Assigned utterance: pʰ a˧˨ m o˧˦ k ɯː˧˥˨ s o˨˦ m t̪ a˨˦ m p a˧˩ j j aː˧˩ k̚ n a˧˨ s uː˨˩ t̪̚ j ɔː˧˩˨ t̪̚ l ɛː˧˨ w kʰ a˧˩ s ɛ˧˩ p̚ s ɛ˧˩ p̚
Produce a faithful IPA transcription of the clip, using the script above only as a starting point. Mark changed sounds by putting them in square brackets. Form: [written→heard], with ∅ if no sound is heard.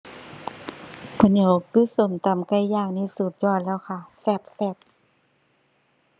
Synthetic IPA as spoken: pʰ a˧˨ [m→ɲ] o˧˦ k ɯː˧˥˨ s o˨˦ m t̪ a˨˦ m [p→k] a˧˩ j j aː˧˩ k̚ n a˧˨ s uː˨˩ t̪̚ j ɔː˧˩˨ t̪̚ l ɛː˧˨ w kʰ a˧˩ s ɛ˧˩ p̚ s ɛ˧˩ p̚